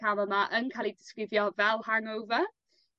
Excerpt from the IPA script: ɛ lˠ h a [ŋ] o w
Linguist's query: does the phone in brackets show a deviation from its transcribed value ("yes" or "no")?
no